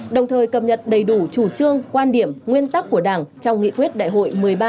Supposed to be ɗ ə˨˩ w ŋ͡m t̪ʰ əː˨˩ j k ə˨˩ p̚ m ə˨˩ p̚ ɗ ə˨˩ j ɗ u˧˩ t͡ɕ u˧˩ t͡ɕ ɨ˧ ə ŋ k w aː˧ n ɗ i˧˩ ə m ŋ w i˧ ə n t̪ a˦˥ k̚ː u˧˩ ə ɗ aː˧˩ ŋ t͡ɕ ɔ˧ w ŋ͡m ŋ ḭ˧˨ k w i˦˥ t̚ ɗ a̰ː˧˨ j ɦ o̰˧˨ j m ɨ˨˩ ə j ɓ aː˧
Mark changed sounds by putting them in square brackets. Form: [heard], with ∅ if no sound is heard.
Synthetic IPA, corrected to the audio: ɗ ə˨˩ w ŋ͡m t̪ʰ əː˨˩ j k ə˨˩ p̚ [ɲ] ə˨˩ [t̚] ɗ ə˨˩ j ɗ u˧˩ t͡ɕ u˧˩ t͡ɕ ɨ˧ ə ŋ k w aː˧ n ɗ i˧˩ ə m ŋ w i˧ ə n t̪ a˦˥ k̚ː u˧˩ ə ɗ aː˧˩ ŋ t͡ɕ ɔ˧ w ŋ͡m ŋ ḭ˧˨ k w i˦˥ t̚ ɗ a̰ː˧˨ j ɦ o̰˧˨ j m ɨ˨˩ ə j ɓ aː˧